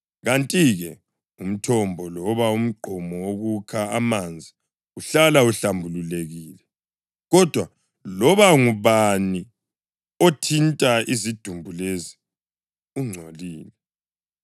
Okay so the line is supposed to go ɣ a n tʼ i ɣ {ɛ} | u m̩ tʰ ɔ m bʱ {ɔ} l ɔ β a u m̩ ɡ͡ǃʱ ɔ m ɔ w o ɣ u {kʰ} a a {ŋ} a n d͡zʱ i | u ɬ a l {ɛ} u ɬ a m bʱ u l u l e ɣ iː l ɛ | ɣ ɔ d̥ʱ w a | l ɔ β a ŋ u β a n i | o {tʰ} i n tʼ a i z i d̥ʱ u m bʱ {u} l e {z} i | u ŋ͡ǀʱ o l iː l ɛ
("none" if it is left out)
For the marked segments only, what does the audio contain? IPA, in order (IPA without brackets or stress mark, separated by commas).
ɛ, ɔ, kʰ, m, a, tʰ, u, z